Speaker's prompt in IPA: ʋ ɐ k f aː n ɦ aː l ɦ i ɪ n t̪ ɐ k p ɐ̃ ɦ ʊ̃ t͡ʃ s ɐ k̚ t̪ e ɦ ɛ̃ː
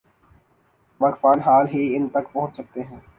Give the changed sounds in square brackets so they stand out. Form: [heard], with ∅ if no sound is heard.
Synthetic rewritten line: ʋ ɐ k f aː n ɦ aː l ɦ i ɪ n t̪ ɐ k p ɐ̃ ɦ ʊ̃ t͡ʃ s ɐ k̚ t̪ e ɦ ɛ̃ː